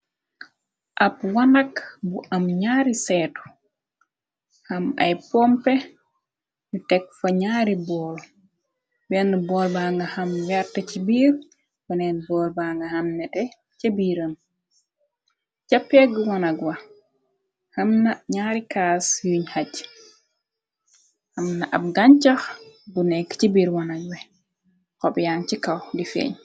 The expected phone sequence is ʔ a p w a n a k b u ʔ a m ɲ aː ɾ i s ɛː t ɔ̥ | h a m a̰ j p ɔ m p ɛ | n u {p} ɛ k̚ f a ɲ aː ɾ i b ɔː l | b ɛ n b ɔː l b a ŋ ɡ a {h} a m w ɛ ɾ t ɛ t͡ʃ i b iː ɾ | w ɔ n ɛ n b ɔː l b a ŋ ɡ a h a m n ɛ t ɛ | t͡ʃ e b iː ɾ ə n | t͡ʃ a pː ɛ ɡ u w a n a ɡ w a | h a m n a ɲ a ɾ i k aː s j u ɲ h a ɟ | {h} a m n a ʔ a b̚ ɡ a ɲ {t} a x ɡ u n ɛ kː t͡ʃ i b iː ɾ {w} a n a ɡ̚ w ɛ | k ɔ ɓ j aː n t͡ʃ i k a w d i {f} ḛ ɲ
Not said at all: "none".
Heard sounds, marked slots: t, h, h, t͡ʃ, w, f

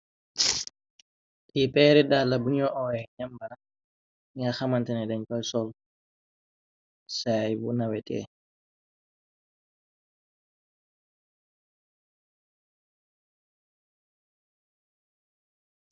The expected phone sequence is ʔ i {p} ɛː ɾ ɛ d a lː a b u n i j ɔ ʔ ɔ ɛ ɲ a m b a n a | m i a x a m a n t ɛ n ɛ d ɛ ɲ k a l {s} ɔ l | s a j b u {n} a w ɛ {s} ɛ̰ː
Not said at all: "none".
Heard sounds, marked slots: p, s, n, t

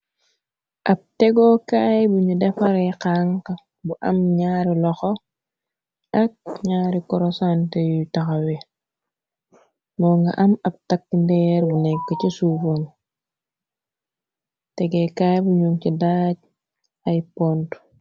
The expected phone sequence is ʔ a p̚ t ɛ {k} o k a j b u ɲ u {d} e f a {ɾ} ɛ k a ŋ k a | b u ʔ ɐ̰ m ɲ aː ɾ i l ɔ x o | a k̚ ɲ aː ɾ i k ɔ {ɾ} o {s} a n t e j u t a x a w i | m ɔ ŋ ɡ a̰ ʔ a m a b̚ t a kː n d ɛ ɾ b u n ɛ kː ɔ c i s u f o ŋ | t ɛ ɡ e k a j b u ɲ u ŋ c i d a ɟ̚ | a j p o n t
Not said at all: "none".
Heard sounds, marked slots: ɡ, d, ɾ, ɾ, s

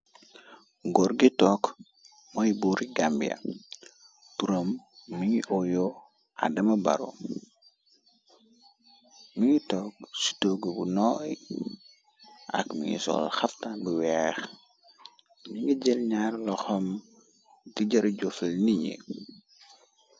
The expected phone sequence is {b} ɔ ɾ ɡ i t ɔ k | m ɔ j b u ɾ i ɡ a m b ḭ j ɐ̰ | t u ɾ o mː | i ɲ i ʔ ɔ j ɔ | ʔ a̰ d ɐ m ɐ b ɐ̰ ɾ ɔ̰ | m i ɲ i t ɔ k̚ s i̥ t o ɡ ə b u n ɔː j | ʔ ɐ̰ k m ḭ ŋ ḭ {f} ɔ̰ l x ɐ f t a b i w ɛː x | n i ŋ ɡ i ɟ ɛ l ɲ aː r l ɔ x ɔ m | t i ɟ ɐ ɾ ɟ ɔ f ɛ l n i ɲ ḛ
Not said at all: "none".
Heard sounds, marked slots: ɡ, s

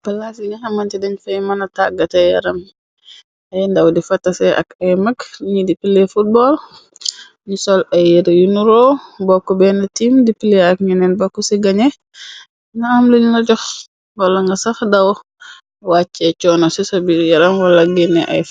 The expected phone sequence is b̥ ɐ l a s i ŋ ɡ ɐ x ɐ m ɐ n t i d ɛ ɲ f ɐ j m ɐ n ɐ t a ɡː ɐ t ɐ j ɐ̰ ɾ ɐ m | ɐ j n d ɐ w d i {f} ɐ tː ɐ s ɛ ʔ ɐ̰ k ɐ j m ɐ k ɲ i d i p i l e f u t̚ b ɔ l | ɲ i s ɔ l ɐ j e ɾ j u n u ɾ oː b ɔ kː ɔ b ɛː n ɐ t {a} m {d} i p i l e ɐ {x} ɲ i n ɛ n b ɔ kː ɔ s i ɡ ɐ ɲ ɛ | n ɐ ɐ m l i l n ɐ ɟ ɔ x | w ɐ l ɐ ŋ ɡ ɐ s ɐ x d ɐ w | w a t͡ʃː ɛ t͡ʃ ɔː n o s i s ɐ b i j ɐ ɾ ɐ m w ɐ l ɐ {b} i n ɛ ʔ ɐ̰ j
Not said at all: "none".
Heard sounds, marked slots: f, i, d, k, ɡ

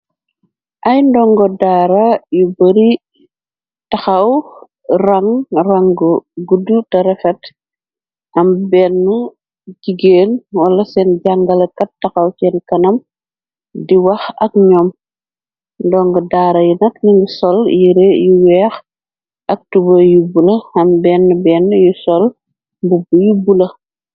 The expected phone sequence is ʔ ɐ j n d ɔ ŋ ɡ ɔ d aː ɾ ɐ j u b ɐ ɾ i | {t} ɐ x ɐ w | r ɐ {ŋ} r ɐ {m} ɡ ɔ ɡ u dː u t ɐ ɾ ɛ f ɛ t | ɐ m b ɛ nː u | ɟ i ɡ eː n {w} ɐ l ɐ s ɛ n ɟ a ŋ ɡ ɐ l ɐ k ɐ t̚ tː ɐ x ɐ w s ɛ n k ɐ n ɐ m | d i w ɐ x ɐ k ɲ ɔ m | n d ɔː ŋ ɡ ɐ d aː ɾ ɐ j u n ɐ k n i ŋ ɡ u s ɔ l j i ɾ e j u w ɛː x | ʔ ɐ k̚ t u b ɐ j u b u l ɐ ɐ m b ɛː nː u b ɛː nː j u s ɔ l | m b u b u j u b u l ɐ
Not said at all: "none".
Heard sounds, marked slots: t, ŋ, ŋ, w

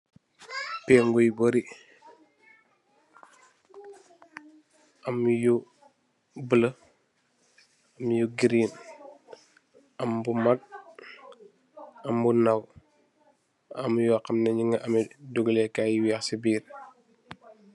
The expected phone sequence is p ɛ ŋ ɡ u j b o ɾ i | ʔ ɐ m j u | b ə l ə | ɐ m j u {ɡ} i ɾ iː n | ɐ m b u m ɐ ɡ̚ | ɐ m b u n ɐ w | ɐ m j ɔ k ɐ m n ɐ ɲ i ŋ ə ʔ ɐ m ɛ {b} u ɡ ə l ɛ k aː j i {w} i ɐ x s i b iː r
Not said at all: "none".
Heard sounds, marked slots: ɡ, d, w

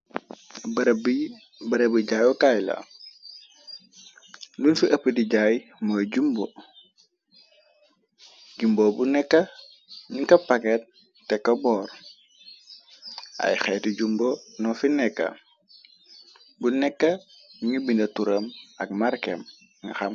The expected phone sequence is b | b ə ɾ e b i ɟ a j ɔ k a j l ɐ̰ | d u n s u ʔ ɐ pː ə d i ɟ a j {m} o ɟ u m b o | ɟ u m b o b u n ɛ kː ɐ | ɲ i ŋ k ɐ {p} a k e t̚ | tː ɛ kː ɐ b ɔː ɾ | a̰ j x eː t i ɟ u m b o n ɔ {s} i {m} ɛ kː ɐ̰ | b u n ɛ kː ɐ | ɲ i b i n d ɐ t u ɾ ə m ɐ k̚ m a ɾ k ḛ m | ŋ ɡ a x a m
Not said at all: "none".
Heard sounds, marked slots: m, p, f, n

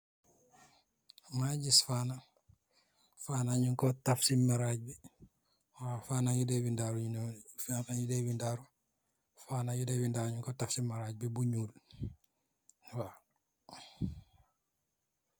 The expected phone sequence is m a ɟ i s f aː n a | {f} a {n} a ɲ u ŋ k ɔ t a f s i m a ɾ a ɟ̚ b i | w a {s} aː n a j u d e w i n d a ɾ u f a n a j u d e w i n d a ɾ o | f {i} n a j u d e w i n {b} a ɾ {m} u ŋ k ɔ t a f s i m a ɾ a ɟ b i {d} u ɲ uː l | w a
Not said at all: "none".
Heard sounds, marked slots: f, n, f, a, d, ɲ, b

